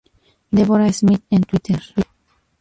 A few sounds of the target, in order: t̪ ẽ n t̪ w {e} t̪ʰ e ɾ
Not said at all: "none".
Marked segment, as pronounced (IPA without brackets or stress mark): i